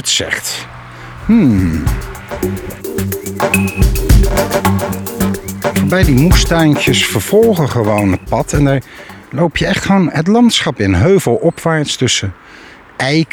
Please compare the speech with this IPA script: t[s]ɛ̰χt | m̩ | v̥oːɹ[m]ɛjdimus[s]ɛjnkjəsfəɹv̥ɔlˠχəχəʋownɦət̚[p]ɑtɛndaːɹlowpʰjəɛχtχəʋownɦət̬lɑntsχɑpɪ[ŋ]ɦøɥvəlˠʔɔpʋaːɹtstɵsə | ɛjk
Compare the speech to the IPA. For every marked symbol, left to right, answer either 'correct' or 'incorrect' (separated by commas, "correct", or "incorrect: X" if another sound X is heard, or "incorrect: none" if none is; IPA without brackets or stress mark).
correct, incorrect: b, incorrect: t, correct, incorrect: n